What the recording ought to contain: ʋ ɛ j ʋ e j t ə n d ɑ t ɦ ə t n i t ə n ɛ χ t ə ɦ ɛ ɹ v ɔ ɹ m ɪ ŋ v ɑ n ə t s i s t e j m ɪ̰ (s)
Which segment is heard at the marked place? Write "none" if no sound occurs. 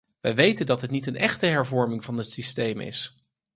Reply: s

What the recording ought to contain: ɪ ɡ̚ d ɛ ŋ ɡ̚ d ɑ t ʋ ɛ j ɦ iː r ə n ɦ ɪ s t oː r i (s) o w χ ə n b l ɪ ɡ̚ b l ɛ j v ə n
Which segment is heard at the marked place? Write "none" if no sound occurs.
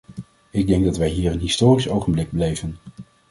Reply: s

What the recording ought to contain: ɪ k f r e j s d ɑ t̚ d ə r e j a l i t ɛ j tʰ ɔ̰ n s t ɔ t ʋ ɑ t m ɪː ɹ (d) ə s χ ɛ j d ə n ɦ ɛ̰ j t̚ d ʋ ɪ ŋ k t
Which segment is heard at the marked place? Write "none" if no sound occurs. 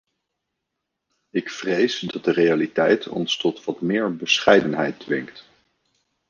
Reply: b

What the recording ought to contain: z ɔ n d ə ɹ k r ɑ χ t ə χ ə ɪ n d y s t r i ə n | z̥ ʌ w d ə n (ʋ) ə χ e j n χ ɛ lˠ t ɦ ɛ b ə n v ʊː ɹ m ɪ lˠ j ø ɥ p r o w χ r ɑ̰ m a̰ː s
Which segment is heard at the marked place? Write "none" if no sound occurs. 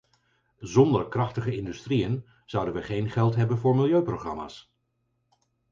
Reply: ʋ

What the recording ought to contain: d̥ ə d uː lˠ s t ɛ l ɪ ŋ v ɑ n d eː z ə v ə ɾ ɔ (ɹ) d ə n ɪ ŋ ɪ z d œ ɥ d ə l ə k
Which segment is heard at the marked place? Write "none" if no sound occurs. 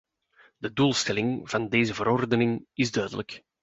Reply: r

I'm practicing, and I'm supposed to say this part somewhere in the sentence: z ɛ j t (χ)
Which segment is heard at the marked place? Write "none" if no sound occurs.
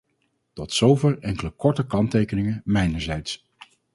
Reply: s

